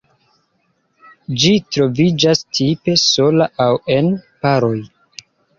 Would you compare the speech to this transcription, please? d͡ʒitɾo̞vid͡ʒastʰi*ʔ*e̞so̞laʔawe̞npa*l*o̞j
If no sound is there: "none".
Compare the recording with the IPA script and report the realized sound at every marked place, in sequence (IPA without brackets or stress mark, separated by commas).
p, ɾ